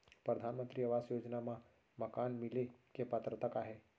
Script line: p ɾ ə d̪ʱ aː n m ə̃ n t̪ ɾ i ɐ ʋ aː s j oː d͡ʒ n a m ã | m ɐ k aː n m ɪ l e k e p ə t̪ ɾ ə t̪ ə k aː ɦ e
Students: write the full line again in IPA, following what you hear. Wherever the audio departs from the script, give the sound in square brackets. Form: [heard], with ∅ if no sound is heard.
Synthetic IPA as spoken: p ɾ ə d̪ʱ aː n m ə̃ n t̪ ɾ i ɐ ʋ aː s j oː d͡ʒ n a m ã | m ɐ k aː n m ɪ l e k e p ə t̪ ɾ ə t̪ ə k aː ɦ e